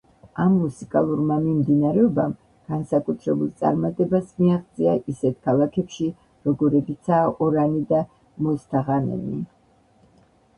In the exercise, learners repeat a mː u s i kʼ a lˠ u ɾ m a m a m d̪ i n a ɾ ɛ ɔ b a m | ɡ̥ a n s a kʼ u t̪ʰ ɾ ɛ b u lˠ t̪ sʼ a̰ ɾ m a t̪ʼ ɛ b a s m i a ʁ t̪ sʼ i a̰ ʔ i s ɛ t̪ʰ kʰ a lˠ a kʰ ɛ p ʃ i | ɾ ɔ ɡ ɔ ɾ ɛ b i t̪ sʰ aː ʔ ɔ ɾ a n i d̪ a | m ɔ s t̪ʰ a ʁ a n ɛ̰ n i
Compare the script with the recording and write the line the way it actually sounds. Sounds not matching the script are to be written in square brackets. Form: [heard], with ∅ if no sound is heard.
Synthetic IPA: a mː u s i kʼ a lˠ u ɾ m a m [i] m d̪ i n a ɾ ɛ ɔ b a m | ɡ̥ a n s a kʼ u t̪ʰ ɾ ɛ b u lˠ t̪ sʼ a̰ ɾ m a t̪ʼ ɛ b a s m i a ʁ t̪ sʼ i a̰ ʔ i s ɛ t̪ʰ kʰ a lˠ a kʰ ɛ p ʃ i | ɾ ɔ ɡ ɔ ɾ ɛ b i t̪ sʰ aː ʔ ɔ ɾ a n i d̪ a | m ɔ s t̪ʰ a ʁ a n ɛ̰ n i